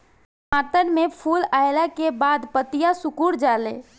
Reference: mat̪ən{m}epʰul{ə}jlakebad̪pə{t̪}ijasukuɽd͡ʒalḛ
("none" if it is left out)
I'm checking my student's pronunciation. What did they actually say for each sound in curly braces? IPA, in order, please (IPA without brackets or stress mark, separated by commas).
m, a, t̪